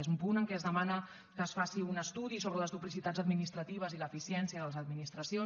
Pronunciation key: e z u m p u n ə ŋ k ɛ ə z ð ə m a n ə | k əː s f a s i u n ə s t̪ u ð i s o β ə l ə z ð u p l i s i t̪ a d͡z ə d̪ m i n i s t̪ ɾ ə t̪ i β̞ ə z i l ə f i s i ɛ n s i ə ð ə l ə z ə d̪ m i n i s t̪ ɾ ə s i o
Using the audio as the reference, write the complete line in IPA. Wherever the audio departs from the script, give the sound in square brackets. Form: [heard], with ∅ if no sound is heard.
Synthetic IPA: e z u m p u n ə ŋ k ɛ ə z ð ə m a n ə | k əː s f a s i u n ə s t̪ u ð i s o β ə l ə z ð u p l i s i t̪ a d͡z ə d̪ m i n i s t̪ ɾ ə t̪ i β̞ ə z i l ə f i s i ɛ n s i ə ð ə l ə z ə d̪ m i n i s t̪ ɾ ə s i o